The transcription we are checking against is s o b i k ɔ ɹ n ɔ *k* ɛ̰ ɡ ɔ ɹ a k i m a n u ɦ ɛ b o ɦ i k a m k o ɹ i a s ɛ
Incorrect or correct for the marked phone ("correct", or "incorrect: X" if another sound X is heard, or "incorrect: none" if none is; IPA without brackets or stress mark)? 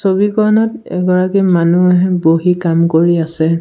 incorrect: t